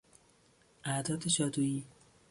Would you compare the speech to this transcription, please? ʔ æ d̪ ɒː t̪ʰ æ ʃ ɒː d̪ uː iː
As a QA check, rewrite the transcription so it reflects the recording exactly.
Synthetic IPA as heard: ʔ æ d̪ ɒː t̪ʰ e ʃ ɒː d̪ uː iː

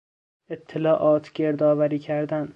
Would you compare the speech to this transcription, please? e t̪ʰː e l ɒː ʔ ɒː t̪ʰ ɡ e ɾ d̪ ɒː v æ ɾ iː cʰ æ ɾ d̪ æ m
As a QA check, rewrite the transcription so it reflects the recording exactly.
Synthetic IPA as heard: e t̪ʰː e l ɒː ʔ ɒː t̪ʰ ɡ e ɾ d̪ ɒː v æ ɾ iː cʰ æ ɾ d̪ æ n

